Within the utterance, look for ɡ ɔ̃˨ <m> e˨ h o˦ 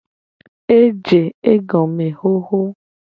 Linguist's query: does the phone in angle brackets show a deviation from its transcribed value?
no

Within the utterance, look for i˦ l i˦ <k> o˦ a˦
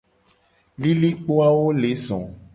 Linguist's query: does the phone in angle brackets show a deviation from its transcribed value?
yes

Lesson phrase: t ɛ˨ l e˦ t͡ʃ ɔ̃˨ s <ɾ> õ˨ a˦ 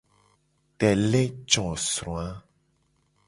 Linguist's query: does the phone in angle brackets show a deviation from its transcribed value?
no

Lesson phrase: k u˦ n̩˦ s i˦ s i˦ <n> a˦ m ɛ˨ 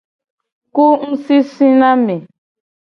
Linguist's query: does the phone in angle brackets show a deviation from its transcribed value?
no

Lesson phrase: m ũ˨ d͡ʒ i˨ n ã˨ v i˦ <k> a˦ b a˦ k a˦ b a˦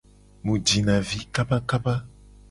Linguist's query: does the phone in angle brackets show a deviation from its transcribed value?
no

